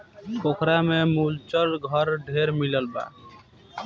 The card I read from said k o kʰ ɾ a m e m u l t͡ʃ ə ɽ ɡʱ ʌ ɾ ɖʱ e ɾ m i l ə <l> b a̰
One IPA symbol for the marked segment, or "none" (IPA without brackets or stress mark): l